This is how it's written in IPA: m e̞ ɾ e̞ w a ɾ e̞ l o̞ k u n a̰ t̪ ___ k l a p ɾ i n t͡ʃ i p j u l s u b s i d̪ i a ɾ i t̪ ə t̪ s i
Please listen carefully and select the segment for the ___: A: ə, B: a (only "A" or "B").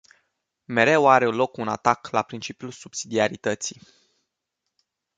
B